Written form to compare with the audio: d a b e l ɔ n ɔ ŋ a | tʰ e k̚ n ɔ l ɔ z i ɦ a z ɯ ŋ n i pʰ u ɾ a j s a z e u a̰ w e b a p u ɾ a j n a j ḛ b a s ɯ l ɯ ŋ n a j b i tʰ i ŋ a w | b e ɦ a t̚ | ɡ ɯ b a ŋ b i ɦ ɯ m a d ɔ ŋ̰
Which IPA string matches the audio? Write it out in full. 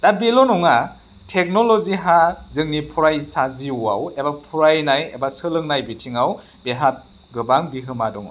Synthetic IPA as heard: d a b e l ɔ n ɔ ŋ a | tʰ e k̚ n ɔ l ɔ z i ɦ a z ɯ ŋ n i pʰ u ɾ a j s a z i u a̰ w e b a pʰ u ɾ a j n a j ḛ b a s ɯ l ɯ ŋ n a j b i tʰ i ŋ a w | b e ɦ a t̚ | ɡ ɯ b a ŋ b i ɦ ɯ m a d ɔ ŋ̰